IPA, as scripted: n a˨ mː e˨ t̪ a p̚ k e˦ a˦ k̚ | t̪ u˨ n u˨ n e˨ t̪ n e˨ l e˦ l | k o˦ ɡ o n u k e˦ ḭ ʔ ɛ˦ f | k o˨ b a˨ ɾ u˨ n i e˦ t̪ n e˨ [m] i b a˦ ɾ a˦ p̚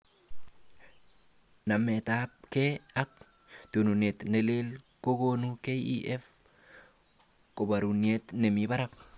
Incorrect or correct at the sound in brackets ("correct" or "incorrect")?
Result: correct